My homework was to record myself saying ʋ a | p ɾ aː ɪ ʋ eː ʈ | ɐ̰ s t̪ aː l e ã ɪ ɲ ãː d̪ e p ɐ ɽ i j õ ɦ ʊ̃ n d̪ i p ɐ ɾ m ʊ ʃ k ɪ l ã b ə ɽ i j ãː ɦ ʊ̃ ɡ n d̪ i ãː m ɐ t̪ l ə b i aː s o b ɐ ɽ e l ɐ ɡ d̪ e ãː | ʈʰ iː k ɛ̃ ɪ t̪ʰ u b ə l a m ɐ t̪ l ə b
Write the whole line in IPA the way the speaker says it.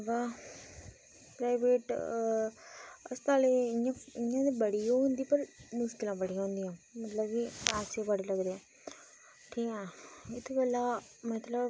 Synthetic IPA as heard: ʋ a | p ɾ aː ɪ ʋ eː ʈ | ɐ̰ s t̪ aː l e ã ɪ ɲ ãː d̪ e b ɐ ɽ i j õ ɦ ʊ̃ n d̪ i p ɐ ɾ m ʊ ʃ k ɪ l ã b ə ɽ i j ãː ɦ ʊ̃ n d̪ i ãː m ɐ t̪ l ə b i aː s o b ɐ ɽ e l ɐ ɡ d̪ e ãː | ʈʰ iː k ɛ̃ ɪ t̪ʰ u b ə l a m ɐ t̪ l ə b